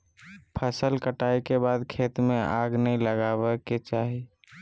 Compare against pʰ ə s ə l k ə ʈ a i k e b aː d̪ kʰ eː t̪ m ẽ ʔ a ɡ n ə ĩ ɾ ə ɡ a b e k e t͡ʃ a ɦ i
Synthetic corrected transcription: pʰ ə s ə l k ə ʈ a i k e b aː d̪ kʰ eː t̪ m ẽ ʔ a ɡ n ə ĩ l ə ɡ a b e k e t͡ʃ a ɦ i